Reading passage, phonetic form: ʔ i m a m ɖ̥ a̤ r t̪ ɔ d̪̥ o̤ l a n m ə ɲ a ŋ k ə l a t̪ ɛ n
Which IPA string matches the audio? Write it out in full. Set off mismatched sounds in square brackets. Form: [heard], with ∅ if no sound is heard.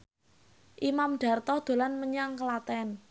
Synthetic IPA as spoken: ʔ i m a m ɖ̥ a̤ r t̪ ɔ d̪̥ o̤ l a n m ə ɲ a ŋ k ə l a t̪ ɛ n